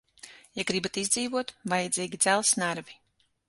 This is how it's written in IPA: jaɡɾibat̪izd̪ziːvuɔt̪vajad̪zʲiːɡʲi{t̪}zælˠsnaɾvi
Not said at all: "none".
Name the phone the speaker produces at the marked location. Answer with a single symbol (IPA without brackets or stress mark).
d̪